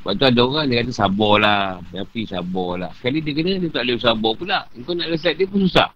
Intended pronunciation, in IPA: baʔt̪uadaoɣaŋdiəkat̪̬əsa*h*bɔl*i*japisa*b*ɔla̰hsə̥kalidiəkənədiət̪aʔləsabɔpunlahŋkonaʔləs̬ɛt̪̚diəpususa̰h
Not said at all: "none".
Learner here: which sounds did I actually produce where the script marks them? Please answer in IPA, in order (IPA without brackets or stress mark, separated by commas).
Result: none, a, b